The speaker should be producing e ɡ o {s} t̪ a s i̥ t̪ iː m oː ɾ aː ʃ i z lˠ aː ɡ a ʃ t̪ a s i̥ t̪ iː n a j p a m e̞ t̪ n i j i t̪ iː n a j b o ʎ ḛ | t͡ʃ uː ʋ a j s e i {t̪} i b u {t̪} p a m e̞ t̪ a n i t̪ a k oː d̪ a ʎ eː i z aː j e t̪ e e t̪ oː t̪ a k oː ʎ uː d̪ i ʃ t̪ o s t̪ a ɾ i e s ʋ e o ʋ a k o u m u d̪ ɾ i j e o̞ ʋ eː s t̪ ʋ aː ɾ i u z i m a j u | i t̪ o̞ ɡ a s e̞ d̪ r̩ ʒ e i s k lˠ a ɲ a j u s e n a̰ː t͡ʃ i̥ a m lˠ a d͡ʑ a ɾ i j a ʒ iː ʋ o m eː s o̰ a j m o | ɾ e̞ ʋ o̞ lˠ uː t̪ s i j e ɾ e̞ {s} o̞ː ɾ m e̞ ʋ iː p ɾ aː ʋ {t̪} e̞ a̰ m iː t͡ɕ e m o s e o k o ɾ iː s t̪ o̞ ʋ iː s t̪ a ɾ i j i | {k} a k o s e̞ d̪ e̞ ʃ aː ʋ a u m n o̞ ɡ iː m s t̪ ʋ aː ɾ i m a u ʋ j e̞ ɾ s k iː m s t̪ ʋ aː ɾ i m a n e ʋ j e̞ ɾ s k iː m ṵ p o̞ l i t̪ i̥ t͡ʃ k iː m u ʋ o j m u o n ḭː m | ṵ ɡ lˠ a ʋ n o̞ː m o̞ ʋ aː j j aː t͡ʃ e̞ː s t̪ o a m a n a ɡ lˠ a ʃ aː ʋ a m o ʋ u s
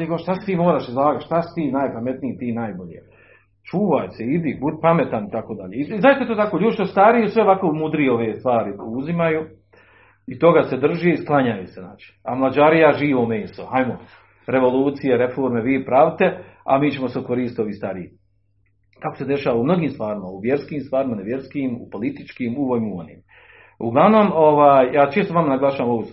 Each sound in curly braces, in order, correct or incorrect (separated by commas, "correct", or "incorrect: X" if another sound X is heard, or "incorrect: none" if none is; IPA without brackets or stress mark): incorrect: ʃ, incorrect: d̪, incorrect: d̪, incorrect: f, correct, correct